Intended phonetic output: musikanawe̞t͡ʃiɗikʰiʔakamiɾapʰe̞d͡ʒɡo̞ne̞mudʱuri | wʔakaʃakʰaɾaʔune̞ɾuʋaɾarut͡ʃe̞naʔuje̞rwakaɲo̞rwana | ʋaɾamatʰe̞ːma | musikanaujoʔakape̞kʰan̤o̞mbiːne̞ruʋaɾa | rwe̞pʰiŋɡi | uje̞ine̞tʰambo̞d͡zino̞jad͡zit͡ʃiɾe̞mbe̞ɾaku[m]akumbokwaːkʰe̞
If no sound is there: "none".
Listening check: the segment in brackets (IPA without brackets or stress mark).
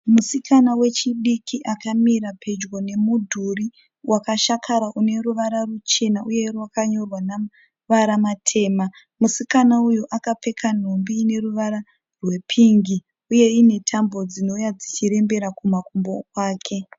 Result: m